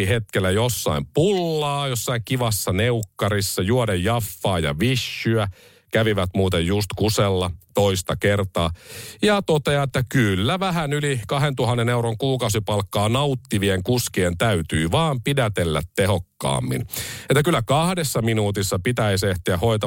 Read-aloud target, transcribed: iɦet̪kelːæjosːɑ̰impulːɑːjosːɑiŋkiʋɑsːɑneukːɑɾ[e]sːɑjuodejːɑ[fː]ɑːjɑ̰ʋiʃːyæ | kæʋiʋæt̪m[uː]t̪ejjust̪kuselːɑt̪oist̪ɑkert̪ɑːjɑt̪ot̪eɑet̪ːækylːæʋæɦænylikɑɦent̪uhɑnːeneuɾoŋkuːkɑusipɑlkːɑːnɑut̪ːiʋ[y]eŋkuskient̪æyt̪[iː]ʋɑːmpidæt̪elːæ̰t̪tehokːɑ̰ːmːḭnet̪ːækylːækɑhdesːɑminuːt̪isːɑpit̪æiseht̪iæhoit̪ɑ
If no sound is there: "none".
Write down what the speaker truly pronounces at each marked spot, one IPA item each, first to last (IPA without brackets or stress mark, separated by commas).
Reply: i, fː, uː, i, yː